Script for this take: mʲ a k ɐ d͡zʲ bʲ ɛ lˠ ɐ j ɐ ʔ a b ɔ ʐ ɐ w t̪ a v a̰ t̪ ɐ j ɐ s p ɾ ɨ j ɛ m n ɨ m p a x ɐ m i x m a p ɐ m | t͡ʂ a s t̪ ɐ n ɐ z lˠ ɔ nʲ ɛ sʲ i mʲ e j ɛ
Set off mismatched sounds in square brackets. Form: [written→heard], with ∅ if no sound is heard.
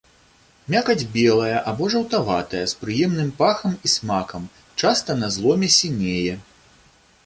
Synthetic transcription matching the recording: mʲ a k ɐ d͡zʲ bʲ ɛ lˠ ɐ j ɐ ʔ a b ɔ ʐ ɐ w t̪ a v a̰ t̪ ɐ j ɐ s p ɾ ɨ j ɛ m n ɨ m p a x ɐ m i [x→s] m a [p→k] ɐ m | t͡ʂ a s t̪ ɐ n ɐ z lˠ ɔ [nʲ→mʲ] ɛ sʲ i [mʲ→nʲ] e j ɛ